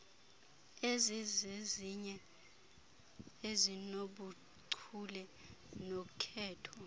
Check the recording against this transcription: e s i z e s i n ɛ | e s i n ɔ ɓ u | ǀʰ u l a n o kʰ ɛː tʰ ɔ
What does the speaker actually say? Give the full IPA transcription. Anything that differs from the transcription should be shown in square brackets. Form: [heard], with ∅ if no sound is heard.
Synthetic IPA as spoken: e [z] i z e [z] i [ɲ] ɛ | e [z] i n [o] ɓ u | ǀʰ u l [ɛ] n o kʰ ɛː tʰ ɔ